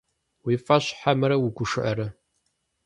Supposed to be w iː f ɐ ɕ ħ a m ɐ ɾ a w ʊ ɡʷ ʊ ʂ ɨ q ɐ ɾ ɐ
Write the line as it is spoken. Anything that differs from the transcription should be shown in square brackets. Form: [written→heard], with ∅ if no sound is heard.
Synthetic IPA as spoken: w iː f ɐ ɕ ħ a m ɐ ɾ [a→ɐ] w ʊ ɡʷ ʊ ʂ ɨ [q→ʔ] ɐ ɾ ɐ